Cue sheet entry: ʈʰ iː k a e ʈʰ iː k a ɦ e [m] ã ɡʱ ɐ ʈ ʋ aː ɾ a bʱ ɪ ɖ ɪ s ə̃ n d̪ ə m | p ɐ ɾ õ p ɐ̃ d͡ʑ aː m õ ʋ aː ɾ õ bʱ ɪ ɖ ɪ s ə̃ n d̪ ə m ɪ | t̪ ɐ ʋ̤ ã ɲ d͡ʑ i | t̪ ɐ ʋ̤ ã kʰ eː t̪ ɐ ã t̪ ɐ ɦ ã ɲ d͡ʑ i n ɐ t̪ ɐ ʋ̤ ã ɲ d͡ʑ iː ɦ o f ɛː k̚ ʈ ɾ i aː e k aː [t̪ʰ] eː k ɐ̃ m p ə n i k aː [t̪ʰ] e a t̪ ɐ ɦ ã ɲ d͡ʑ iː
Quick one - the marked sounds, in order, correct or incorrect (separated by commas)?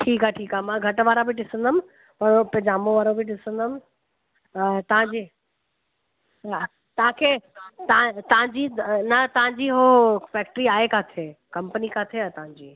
correct, correct, correct